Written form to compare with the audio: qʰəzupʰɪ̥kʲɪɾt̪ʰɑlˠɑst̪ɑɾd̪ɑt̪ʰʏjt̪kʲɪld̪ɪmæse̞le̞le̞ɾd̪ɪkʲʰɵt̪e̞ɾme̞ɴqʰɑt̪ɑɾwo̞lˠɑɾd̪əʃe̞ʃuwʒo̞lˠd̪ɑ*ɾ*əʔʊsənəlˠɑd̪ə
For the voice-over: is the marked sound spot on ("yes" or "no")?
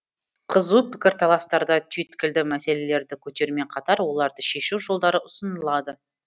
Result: yes